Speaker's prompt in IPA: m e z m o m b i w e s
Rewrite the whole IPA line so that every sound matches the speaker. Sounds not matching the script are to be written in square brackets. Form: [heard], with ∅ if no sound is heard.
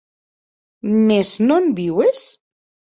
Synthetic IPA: m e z [n] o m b i w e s